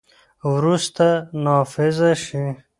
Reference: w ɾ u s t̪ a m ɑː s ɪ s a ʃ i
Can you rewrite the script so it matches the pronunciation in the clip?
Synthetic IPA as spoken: w ɾ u s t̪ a n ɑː f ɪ z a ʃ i